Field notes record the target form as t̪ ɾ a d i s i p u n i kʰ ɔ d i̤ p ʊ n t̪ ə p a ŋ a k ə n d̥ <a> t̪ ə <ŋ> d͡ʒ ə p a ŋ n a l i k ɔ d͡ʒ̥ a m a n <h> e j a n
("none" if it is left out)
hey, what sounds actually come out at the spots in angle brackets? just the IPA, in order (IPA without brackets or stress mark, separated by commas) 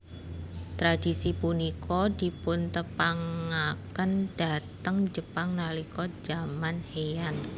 a, ŋ, h